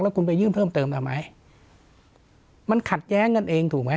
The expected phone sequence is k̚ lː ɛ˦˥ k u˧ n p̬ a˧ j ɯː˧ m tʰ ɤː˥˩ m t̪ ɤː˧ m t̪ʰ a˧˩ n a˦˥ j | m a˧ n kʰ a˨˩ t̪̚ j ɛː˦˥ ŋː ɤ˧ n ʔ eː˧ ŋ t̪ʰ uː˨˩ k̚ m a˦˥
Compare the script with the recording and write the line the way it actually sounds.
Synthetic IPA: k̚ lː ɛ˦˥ k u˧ n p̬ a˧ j ɯː˥˩ m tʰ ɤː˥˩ m t̪ ɤː˧ m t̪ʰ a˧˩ m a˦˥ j | m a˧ n kʰ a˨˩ t̪̚ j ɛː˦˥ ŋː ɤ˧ n ʔ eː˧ ŋ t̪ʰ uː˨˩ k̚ m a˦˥

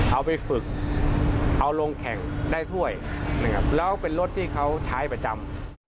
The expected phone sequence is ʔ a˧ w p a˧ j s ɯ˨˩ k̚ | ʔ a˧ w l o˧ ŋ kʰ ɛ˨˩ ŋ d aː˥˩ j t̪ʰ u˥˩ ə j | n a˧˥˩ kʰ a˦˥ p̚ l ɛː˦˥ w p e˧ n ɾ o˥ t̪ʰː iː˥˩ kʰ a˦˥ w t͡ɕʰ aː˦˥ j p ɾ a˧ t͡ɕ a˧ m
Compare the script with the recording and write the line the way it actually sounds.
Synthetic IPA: ʔ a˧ w p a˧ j f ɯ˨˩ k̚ | ʔ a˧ w l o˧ ŋ kʰ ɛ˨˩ ŋ d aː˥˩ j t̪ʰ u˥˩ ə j | n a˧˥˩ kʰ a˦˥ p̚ l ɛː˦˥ w p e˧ n l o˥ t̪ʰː iː˥˩ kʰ a˦˥ w t͡ɕʰ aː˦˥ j p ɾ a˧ t͡ɕ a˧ m

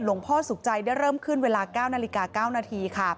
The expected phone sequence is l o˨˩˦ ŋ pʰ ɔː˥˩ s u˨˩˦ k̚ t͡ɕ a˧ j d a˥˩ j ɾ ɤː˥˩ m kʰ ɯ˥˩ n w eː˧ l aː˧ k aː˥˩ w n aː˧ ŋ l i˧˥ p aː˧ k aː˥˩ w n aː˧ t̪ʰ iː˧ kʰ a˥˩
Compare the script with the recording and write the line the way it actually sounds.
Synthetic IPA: l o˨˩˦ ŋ pʰ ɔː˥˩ s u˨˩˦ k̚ t͡ɕ a˧ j d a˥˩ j ɾ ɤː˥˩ m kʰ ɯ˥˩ n w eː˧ l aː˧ k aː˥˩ w n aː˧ l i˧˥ k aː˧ k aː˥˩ w n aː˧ t̪ʰ iː˧ kʰ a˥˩

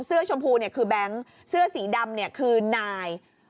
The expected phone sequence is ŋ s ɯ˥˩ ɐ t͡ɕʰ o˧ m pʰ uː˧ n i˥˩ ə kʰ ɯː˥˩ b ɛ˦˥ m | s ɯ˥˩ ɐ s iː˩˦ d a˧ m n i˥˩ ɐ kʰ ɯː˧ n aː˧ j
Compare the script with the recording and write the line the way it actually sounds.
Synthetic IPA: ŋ s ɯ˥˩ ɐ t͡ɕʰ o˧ m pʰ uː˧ n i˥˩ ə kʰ ɯː˧ b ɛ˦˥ ŋ | s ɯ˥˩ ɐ s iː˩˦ d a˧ m n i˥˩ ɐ kʰ ɯː˧ n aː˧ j

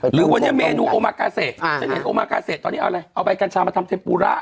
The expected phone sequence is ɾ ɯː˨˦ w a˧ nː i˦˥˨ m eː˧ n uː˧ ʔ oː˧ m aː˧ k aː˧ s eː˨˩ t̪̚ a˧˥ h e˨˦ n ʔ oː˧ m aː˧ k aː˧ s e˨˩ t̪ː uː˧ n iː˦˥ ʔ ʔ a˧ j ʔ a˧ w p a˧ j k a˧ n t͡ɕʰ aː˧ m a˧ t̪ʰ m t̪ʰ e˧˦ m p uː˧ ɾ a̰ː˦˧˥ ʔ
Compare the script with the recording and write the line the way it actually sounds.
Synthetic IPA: ɾ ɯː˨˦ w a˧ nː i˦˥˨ m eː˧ n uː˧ ʔ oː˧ m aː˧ k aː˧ s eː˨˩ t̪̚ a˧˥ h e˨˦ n ʔ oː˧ m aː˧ k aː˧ s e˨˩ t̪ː ɔː˧ n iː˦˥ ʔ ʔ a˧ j ʔ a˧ w p a˧ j k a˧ n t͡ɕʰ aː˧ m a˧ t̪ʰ m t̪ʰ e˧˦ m p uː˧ ɾ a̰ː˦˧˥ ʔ

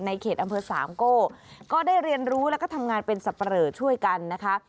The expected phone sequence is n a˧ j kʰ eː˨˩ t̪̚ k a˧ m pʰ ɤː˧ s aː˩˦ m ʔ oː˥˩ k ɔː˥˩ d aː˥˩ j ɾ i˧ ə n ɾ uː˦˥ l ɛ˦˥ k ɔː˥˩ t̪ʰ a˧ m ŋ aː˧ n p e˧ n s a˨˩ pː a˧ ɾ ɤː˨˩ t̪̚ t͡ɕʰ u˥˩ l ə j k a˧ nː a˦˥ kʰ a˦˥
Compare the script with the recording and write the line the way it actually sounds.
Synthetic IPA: n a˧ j kʰ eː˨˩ t̪̚ ʔ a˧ m pʰ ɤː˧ s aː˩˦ m k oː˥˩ k ɔː˥˩ d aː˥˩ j ɾ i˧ ə n ɾ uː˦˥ l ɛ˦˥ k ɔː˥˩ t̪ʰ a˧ m ŋ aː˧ n p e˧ n s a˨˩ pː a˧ ɾ ɤː˨˩ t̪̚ t͡ɕʰ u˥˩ ə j k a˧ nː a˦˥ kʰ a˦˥

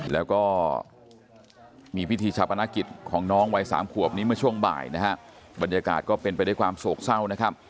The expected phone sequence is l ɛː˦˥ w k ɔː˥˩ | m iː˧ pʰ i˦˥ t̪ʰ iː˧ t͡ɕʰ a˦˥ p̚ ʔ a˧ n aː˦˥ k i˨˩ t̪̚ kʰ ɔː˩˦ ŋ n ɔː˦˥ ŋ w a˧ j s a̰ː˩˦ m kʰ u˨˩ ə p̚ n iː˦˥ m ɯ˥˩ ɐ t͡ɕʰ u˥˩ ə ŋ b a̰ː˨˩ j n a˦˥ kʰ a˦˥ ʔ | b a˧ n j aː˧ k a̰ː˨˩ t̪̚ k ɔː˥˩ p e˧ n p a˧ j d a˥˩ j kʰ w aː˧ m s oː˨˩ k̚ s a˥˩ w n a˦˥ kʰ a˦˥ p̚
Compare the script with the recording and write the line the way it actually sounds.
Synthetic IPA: l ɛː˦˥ w k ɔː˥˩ | m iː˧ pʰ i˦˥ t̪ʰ iː˧ t͡ɕʰ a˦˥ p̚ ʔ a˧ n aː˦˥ k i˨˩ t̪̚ kʰ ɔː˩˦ ŋ n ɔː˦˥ ŋ w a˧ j s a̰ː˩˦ m kʰ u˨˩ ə p̚ n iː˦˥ m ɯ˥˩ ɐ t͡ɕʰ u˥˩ ə ŋ b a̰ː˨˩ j n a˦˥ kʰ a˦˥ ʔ | b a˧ n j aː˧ k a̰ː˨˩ t̪̚ k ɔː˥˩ p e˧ n p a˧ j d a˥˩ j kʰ w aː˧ m s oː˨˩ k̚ s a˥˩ w n a˦˥ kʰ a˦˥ p̚

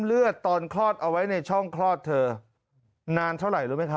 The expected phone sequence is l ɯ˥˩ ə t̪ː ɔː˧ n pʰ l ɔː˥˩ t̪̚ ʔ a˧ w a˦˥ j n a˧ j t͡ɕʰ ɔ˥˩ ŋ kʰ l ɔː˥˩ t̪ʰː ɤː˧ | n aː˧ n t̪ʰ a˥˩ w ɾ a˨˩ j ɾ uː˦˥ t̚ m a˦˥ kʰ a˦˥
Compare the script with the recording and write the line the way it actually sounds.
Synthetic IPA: l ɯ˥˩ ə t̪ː ɔː˧ n kʰ l ɔː˥˩ t̪̚ ʔ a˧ w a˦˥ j n a˧ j t͡ɕʰ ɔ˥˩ ŋ kʰ l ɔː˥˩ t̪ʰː ɤː˧ | n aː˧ n t̪ʰ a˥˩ w ɾ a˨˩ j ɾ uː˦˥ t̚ m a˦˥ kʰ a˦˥

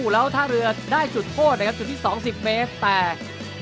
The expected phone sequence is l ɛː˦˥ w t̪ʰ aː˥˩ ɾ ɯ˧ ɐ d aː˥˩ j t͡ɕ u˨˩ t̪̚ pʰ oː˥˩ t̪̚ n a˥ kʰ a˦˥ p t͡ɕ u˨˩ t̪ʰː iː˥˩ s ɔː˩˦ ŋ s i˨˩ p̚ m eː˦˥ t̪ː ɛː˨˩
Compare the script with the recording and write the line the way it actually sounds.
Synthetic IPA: l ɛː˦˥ w t̪ʰ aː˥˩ ɾ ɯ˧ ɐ d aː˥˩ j t͡ɕ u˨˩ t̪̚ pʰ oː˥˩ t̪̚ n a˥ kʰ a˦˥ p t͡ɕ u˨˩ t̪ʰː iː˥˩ s ɔː˩˦ ŋ s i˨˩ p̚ m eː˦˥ t̪ː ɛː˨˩

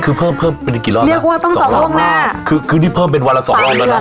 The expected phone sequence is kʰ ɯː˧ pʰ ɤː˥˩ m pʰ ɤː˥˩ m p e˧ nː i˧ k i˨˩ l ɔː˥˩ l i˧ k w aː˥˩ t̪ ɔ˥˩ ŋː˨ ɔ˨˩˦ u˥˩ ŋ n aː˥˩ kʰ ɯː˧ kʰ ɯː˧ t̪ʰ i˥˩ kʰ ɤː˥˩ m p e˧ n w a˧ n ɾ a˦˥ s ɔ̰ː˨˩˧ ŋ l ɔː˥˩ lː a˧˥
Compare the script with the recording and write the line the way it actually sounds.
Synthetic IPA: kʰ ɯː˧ pʰ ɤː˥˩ m pʰ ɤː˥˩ m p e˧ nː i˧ k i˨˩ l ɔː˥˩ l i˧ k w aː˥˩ t̪ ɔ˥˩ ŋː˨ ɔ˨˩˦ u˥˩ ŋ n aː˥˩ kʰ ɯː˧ kʰ ɯː˧ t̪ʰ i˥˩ pʰ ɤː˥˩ m p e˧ n w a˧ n l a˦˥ s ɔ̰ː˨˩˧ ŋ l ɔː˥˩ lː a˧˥

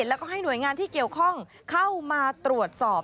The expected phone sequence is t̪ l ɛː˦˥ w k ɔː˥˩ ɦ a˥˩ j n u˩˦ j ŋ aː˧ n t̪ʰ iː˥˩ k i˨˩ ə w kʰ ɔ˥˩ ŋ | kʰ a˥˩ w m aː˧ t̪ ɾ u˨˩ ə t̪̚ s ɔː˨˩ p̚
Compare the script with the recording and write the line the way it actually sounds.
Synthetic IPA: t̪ l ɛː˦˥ w k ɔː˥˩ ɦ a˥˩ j n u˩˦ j ŋ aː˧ n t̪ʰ iː˥˩ k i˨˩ ə w kʰ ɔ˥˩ ŋ | kʰ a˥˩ w m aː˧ t̪ ɾ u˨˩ ə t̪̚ s ɔː˨˩ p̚

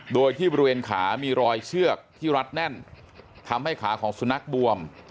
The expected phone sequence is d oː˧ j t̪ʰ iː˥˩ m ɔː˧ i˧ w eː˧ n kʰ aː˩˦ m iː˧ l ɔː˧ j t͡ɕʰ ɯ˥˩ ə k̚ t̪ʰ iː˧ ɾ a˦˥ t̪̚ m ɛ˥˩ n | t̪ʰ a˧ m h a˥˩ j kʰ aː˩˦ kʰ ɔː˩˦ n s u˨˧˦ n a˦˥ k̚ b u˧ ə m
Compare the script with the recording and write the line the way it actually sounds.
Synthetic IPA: d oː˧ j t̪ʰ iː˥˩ b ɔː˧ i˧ w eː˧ n kʰ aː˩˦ m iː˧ ɾ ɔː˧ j t͡ɕʰ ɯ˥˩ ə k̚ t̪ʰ iː˥˩ ɾ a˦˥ t̪̚ n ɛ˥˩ n | t̪ʰ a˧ m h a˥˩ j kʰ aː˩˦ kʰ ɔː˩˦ ŋ s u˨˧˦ n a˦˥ k̚ b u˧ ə m

